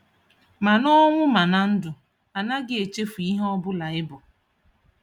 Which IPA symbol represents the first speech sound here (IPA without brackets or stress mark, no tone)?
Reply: m